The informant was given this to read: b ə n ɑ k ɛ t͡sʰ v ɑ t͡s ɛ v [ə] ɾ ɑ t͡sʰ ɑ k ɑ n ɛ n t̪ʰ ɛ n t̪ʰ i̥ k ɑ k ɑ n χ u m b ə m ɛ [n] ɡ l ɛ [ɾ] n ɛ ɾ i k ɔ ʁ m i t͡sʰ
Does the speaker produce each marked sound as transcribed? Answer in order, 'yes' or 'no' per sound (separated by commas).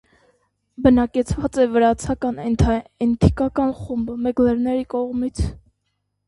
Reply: yes, no, yes